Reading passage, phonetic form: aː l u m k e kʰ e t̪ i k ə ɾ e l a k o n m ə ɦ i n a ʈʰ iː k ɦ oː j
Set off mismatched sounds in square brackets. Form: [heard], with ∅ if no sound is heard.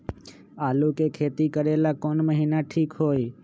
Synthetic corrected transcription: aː l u [∅] k e kʰ e t̪ i k ə ɾ e l a k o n m ə ɦ i n a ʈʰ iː k ɦ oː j